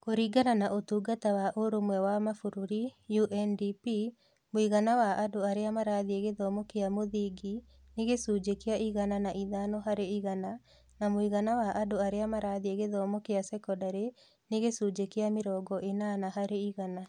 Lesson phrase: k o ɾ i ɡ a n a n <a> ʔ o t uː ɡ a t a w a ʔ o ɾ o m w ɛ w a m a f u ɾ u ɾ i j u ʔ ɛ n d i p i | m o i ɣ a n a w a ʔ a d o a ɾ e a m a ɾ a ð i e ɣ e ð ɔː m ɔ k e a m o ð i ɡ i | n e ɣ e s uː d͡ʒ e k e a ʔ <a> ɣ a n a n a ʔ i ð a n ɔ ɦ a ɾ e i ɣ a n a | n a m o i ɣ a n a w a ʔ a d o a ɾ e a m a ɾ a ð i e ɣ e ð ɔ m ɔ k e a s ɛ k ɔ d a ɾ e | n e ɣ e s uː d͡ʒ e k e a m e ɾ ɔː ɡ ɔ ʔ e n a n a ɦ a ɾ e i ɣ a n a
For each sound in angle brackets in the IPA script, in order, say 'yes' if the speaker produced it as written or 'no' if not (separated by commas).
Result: yes, no